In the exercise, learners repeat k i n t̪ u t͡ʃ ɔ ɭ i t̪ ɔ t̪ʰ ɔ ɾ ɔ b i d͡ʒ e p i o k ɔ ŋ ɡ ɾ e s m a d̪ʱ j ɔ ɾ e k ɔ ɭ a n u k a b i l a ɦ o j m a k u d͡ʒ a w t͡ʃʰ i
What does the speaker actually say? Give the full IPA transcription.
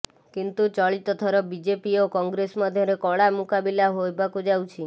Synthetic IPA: k i n t̪ u t͡ʃ ɔ ɭ i t̪ ɔ t̪ʰ ɔ ɾ ɔ b i d͡ʒ e p i o k ɔ ŋ ɡ ɾ e s m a d̪ʱ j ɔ ɾ e k ɔ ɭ a m u k a b i l a ɦ o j b a k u d͡ʒ a w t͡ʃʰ i